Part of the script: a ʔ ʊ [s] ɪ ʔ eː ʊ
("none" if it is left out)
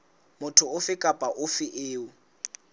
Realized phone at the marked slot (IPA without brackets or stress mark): f